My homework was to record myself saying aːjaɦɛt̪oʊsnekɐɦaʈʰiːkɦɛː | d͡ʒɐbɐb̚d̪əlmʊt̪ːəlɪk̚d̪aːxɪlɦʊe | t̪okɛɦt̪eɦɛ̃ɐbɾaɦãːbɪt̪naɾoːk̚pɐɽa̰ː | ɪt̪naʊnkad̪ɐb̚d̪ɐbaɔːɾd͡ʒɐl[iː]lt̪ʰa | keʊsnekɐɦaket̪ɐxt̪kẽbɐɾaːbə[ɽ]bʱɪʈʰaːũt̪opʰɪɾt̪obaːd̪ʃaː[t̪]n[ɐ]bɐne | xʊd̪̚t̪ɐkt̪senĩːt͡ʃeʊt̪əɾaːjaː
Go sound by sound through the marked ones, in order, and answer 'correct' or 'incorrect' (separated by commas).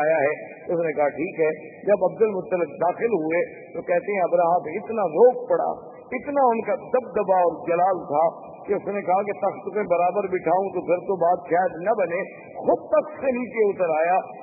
incorrect, incorrect, incorrect, correct